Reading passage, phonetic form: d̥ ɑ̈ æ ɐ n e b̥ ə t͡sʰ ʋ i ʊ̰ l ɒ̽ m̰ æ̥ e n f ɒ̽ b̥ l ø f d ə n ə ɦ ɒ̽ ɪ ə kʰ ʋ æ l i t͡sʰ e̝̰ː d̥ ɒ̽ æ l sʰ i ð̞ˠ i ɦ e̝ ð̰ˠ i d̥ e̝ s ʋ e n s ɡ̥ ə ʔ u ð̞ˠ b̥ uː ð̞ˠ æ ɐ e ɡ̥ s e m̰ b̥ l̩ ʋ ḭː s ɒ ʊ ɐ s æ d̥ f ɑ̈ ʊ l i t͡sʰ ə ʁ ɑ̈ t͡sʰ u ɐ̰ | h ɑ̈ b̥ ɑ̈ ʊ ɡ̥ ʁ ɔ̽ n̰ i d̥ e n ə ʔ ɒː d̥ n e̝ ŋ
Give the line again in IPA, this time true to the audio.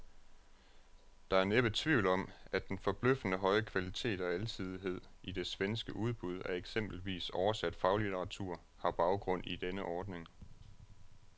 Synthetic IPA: d̥ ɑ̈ æ ɐ n e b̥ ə t͡sʰ ʋ i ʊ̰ l ɒ̽ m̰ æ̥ e n f ɒ̽ b̥ l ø f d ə n ə ɦ ɒ̽ ɪ ə kʰ ʋ æ l i t͡sʰ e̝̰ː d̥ ɒ̽ æ l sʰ i ð̞ˠ i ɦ e̝ ð̰ˠ i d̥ e̝ s ʋ e n s ɡ̥ ə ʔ u ð̞ˠ b̥ u ð̞ˠ æ ɐ e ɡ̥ s e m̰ b̥ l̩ ʋ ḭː s ɒ ʊ ɐ s æ d̥ f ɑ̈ ʊ l i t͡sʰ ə ʁ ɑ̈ t͡sʰ u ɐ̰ | h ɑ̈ b̥ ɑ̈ ʊ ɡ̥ ʁ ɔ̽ n̰ i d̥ e n ə ʔ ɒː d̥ n e̝ ŋ